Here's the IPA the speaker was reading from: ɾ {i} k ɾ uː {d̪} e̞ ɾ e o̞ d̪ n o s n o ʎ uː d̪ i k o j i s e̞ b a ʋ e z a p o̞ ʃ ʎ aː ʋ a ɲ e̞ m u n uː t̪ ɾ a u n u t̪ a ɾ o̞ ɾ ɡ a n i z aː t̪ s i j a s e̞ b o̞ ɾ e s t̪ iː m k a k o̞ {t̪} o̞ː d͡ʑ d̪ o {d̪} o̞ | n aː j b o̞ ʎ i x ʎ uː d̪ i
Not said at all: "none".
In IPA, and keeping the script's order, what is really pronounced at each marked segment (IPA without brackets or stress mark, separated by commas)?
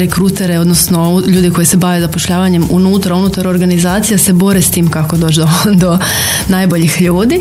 e, t̪, d̪, d̪